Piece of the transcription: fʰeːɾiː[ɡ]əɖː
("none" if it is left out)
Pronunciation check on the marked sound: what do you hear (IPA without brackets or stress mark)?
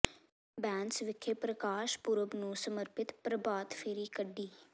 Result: k